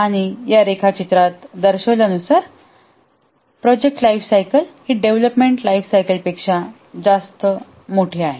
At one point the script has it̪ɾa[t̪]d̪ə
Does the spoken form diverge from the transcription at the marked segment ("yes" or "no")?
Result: no